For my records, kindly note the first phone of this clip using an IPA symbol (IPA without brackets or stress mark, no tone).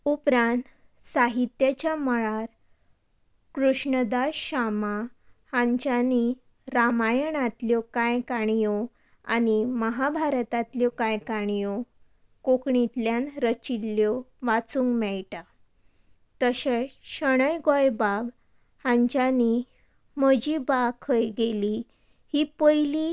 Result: u